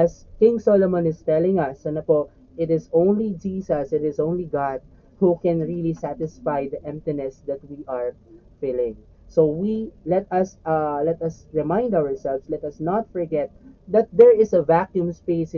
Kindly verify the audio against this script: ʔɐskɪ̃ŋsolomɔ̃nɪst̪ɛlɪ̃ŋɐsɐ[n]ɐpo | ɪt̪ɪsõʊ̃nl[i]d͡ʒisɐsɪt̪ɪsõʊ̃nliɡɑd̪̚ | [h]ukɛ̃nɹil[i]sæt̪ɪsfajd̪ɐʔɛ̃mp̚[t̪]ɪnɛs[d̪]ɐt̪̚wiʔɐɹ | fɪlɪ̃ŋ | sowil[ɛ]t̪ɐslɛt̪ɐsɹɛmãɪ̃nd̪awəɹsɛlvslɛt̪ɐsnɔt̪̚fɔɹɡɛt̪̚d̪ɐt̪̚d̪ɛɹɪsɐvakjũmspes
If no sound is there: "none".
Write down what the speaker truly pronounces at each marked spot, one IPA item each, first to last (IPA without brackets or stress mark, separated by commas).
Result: n, i, h, i, t̪, d̪, ɛ